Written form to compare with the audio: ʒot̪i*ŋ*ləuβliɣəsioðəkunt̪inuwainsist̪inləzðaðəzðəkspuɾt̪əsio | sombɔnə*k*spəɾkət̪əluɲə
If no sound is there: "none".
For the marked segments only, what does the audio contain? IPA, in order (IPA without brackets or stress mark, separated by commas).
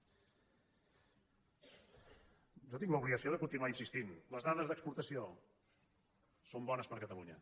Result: ŋ, none